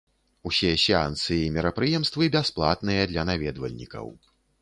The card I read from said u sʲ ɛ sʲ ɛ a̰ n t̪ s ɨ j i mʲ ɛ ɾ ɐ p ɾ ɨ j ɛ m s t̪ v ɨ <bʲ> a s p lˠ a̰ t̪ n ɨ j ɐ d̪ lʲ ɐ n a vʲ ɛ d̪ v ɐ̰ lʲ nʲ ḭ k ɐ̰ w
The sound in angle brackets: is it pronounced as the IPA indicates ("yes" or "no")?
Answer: yes